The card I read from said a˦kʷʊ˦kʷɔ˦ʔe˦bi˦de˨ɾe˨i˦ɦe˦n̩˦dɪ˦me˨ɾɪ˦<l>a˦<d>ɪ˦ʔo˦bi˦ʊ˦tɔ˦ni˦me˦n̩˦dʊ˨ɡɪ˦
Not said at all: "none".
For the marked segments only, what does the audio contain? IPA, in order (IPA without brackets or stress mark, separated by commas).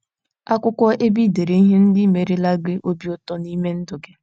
l, ɡ